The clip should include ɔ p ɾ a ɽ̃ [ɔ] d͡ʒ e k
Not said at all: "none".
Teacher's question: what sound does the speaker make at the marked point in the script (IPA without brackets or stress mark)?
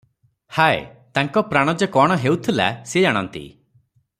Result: ɔ